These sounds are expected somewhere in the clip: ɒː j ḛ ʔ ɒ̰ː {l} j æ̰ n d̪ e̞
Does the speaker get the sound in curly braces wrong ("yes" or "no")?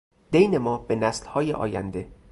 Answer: yes